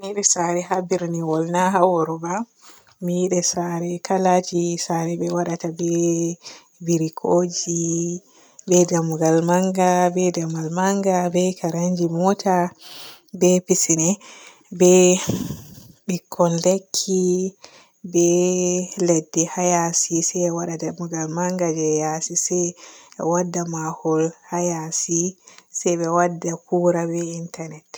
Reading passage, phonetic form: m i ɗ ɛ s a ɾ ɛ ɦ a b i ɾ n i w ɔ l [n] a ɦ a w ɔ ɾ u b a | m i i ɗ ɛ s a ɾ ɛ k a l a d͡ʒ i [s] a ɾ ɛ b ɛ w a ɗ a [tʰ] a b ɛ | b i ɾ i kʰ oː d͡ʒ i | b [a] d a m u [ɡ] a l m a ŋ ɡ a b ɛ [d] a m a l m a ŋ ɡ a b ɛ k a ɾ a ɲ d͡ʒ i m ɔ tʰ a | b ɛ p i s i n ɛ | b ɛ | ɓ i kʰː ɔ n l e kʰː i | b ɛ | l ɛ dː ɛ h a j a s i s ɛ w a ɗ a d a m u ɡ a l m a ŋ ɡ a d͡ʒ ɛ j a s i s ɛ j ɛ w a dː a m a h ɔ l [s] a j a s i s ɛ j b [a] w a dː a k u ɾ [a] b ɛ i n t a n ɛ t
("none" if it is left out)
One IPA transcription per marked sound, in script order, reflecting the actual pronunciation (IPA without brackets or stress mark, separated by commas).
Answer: n, s, t, ɛ, ɡ, d, h, ɛ, a